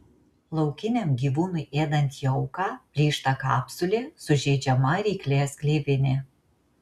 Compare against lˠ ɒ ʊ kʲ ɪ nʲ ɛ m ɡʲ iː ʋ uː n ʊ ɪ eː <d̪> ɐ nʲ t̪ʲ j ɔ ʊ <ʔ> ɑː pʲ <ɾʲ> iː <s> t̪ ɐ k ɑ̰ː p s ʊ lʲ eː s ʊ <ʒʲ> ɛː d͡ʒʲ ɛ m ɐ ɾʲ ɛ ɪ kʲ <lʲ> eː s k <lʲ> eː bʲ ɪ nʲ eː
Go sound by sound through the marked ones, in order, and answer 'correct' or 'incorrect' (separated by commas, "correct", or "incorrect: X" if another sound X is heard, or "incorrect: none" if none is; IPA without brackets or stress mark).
correct, incorrect: k, incorrect: lʲ, incorrect: ʃ, correct, correct, correct